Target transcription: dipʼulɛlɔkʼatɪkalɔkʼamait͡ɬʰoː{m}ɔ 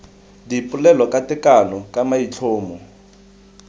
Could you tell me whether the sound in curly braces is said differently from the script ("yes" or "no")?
no